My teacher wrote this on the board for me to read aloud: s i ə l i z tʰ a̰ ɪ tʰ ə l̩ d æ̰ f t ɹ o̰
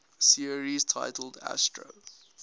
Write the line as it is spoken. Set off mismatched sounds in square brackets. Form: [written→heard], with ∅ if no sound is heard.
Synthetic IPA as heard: s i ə [l→ɹ] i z tʰ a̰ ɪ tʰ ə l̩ d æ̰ [f→s] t ɹ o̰